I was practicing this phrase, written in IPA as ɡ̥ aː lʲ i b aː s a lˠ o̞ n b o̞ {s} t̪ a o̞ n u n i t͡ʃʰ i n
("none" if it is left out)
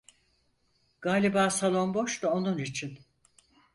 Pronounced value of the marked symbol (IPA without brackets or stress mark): ʃ